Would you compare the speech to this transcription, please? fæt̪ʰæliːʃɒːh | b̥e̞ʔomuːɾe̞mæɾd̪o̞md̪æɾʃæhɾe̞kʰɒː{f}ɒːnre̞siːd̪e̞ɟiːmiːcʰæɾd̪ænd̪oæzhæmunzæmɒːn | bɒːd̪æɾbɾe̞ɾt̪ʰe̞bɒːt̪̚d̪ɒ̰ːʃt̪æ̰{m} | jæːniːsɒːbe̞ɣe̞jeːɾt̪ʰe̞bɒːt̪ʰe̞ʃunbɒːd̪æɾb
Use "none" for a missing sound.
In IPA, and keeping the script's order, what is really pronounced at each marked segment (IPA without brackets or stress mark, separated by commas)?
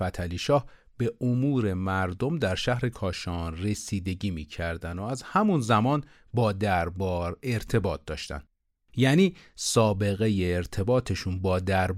ʃ, n